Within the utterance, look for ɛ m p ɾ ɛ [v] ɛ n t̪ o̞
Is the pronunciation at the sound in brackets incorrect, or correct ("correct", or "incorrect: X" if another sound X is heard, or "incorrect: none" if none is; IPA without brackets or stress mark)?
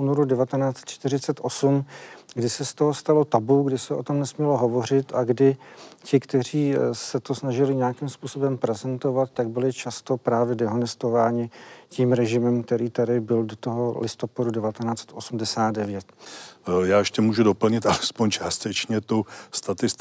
incorrect: z